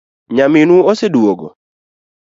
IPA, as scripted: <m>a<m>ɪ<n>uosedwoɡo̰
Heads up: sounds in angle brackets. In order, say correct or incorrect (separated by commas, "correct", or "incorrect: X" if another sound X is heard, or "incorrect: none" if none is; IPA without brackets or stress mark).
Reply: incorrect: ɲ, correct, correct